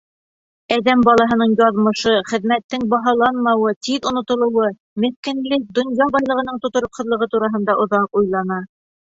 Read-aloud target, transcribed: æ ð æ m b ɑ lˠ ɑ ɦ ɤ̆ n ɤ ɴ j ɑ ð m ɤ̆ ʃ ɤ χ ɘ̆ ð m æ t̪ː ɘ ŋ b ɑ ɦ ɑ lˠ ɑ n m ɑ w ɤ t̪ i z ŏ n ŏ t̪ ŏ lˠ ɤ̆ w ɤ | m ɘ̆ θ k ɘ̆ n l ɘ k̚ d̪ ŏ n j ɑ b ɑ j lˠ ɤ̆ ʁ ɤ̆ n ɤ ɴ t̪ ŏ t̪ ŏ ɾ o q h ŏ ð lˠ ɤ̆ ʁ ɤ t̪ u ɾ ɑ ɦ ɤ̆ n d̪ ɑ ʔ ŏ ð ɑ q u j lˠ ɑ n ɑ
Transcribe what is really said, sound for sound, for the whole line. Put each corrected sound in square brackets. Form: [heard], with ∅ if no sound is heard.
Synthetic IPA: æ ð æ m b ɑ lˠ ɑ ɦ ɤ̆ n ɤ ɴ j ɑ ð m ɤ̆ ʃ ɤ χ ɘ̆ ð m æ t̪ː ɘ ŋ b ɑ ɦ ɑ lˠ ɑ n m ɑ w ɤ t̪ i [ð] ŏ n ŏ t̪ ŏ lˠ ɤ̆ w ɤ | m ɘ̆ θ k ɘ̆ n l ɘ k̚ d̪ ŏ n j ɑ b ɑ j lˠ ɤ̆ ʁ ɤ̆ n ɤ ɴ t̪ ŏ t̪ ŏ ɾ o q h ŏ ð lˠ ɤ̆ ʁ ɤ t̪ u ɾ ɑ ɦ ɤ̆ n d̪ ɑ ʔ ŏ ð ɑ q u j lˠ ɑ n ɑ